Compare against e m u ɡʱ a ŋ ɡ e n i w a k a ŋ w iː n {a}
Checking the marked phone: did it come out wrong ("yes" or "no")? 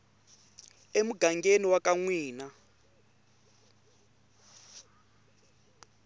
no